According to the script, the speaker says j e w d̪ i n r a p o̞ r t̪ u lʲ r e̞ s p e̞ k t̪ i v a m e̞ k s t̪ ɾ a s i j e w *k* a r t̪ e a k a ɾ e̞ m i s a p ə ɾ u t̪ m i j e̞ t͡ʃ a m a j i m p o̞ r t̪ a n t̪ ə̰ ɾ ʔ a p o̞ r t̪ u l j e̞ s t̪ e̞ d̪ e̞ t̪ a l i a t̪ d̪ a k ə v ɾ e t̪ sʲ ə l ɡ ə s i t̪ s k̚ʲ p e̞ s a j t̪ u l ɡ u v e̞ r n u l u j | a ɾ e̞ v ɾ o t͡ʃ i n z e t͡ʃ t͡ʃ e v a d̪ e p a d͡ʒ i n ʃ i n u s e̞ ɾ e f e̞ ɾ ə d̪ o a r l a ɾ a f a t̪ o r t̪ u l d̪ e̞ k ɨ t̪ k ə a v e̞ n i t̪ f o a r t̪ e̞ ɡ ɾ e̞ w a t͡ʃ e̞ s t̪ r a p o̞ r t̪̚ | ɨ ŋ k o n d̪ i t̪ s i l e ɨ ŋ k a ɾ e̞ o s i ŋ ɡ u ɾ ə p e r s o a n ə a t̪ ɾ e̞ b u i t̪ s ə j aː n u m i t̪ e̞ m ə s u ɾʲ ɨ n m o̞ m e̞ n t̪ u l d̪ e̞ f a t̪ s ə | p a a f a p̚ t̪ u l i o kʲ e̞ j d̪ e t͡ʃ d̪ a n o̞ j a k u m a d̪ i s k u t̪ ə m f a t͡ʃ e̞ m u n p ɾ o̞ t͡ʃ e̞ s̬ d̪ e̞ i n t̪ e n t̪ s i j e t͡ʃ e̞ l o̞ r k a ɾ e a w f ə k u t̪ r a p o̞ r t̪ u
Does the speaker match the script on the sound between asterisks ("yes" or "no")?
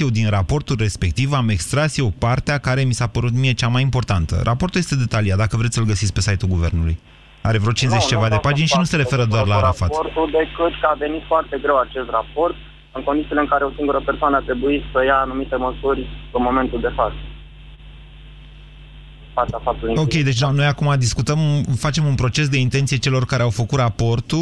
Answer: no